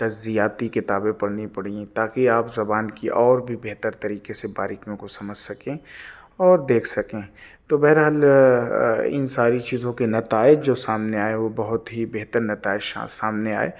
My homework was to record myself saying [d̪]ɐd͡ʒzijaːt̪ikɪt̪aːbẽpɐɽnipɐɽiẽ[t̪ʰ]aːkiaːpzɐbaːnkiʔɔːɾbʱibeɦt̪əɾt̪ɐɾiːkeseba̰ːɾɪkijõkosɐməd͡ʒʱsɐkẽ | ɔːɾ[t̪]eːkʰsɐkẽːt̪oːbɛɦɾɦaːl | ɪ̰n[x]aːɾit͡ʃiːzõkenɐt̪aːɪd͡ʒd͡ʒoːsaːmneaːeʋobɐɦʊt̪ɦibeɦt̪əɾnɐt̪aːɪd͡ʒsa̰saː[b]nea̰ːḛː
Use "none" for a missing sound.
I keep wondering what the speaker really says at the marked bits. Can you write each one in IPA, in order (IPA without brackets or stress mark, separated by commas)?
t̪, t̪, d̪, s, m